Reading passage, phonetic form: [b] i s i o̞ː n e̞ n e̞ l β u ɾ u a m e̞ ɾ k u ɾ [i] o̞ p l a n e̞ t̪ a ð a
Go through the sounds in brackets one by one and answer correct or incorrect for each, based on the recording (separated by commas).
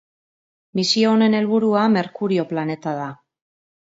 incorrect, correct